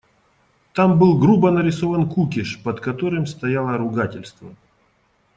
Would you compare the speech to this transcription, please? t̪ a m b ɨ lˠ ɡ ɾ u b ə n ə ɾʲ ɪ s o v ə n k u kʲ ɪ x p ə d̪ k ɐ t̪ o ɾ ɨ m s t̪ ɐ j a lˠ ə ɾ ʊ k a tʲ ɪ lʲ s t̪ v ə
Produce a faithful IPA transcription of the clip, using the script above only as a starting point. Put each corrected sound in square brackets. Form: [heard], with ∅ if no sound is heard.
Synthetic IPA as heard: t̪ a m b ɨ lˠ ɡ ɾ u b ə n ə ɾʲ ɪ s o v ə n k u kʲ ɪ [ʂ] p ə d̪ k ɐ t̪ o ɾ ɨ m s t̪ ɐ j a lˠ ə ɾ ʊ [ɡ] a tʲ ɪ lʲ s t̪ v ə